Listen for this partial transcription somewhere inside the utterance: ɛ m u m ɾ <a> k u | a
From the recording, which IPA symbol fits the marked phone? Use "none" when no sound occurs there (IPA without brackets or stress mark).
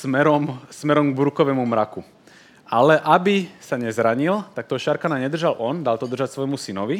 a